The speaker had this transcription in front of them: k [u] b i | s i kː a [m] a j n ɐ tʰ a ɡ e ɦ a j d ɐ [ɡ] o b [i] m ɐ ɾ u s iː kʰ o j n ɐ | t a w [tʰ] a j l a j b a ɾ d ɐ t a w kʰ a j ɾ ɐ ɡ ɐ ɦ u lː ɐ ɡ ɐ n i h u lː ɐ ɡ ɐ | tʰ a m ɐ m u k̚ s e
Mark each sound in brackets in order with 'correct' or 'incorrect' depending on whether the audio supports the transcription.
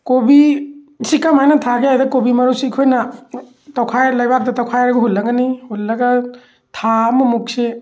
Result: incorrect, correct, incorrect, correct, incorrect

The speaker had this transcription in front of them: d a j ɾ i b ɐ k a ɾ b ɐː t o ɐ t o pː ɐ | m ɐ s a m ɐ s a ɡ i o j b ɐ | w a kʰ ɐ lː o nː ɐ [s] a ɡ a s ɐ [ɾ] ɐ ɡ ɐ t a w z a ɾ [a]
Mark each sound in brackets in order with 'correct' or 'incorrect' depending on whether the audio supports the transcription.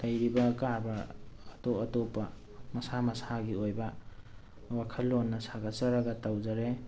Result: correct, correct, incorrect

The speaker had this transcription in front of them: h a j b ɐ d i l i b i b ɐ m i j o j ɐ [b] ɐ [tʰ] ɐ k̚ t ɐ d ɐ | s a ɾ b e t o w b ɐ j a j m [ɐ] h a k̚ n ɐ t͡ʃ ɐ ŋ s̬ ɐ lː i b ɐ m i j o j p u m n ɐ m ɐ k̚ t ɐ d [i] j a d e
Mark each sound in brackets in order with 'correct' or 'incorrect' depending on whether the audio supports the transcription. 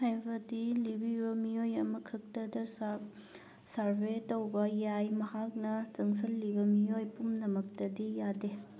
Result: incorrect, incorrect, correct, correct

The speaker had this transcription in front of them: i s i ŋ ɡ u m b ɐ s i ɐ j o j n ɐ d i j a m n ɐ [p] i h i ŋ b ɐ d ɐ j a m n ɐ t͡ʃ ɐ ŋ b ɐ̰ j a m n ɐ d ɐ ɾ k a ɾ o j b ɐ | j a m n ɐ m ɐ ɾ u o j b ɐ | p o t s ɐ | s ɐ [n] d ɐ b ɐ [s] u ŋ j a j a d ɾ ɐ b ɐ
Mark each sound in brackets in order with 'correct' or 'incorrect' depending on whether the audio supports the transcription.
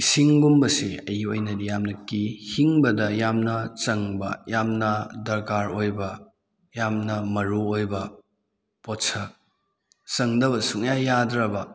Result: incorrect, incorrect, correct

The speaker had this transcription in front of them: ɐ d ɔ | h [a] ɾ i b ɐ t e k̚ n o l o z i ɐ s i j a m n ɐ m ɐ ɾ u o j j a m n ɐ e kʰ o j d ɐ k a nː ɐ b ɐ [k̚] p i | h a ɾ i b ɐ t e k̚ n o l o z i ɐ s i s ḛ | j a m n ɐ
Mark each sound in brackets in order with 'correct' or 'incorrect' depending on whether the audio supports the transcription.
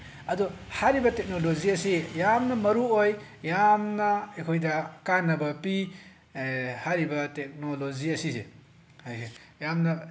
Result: correct, incorrect

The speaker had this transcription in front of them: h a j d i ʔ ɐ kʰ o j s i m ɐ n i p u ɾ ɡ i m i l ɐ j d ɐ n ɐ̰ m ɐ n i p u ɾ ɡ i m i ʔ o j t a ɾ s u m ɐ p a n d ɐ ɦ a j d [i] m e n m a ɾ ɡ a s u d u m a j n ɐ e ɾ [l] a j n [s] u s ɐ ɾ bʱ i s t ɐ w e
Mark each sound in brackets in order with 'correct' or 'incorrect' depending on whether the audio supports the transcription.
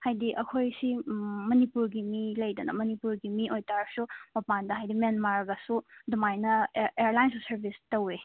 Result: correct, correct, correct

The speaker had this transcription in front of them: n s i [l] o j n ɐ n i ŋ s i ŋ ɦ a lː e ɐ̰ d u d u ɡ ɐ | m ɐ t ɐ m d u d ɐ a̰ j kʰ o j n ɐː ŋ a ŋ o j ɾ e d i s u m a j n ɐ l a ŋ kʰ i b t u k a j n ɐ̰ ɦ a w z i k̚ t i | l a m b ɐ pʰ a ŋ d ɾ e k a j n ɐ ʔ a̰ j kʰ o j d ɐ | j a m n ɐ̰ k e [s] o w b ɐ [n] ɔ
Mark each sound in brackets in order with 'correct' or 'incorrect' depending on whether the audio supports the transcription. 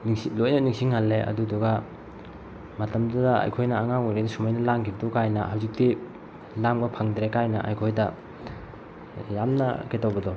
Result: correct, incorrect, incorrect

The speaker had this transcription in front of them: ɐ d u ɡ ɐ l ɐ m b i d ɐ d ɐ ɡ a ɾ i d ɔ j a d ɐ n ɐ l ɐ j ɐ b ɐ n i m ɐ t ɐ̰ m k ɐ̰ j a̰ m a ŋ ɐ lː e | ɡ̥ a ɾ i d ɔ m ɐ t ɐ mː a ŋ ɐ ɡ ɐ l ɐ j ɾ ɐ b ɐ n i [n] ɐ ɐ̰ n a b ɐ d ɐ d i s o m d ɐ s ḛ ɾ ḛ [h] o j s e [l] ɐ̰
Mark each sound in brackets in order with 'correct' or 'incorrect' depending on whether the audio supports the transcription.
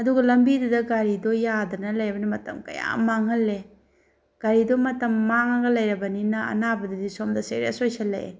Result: correct, incorrect, correct

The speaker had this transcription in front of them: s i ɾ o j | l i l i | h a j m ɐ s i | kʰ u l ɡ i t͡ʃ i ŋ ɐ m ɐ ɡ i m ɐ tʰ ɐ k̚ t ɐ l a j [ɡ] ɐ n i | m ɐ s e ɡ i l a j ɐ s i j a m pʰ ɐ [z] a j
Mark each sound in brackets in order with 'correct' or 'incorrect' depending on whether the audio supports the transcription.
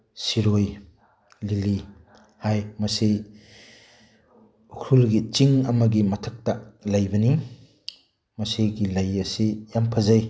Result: incorrect, correct

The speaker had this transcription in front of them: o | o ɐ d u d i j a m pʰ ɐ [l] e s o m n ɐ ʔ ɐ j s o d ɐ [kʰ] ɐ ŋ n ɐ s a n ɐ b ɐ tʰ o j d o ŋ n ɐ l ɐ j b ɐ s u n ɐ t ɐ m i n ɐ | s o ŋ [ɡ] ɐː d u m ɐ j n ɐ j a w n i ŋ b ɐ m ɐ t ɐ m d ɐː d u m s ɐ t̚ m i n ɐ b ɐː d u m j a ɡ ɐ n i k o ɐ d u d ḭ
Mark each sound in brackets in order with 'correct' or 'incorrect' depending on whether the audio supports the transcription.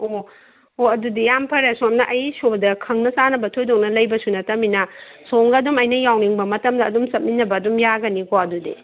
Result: incorrect, correct, correct

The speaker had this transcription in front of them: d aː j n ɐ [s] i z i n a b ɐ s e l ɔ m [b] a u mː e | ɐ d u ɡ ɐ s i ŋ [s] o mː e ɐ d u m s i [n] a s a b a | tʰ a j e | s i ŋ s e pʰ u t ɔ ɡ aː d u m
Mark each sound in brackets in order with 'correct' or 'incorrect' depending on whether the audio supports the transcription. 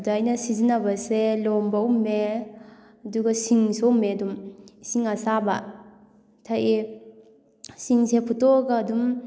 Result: correct, correct, correct, incorrect

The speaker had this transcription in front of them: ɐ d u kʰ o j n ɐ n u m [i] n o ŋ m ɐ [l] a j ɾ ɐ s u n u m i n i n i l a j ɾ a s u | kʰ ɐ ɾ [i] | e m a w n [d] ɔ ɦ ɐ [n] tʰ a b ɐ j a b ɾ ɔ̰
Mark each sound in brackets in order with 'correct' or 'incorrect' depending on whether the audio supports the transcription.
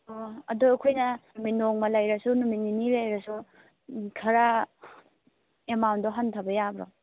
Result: correct, correct, incorrect, correct, correct

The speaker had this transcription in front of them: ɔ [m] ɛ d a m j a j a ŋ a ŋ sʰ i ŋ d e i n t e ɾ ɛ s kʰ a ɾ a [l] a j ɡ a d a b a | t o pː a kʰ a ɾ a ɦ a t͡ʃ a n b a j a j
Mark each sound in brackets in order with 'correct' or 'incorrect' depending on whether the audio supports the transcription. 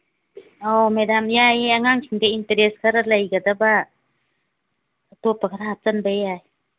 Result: correct, correct

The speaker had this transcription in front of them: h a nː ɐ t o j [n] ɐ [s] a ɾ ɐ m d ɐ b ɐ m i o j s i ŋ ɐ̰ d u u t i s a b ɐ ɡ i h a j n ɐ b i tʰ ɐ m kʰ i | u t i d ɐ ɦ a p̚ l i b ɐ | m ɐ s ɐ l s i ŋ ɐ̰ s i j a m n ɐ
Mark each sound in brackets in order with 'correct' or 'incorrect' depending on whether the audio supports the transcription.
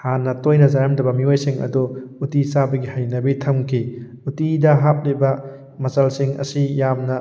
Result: correct, incorrect

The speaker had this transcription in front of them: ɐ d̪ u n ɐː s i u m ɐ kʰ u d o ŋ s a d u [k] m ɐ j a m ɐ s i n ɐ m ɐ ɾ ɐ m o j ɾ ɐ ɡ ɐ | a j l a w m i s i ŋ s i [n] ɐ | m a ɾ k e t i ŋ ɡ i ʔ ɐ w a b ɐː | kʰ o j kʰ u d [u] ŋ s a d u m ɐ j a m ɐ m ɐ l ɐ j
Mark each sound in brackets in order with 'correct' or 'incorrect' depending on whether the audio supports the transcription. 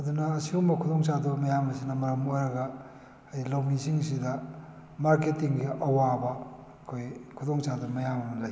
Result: incorrect, incorrect, incorrect

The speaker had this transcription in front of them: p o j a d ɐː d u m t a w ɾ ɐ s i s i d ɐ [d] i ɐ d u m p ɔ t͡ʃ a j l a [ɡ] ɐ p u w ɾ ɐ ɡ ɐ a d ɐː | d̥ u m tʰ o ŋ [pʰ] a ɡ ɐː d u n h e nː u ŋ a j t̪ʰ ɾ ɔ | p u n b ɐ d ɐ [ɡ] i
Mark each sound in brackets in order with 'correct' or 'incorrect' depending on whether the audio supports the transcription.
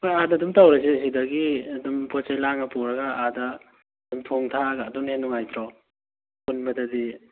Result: incorrect, incorrect, incorrect, incorrect

